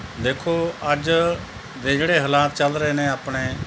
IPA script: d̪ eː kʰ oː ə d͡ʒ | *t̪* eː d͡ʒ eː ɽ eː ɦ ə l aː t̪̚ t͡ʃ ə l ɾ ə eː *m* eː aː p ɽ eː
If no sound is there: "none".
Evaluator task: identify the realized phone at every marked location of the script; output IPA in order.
d̪, n

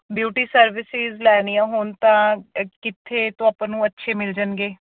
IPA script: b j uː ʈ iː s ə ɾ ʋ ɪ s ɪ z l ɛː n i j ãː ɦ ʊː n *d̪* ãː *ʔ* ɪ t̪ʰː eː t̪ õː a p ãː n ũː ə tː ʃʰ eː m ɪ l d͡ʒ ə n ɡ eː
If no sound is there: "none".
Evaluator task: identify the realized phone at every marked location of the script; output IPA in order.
t̪, k

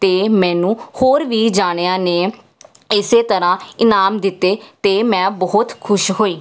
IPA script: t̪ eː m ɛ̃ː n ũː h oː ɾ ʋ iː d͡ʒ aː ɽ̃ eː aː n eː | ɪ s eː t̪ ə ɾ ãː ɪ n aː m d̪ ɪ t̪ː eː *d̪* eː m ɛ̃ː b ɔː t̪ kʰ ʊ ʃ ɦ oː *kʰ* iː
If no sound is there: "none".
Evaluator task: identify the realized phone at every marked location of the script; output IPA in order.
t̪, none

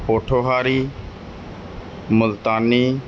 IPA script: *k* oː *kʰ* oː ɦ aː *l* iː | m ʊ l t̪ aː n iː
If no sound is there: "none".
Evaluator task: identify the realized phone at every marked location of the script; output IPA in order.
p, ʈʰ, ɾ

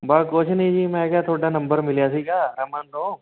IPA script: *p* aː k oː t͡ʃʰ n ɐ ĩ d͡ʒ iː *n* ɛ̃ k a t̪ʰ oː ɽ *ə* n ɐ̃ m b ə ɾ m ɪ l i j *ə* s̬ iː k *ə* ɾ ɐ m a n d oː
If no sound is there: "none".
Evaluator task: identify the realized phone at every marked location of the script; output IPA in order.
b, m, a, a, a

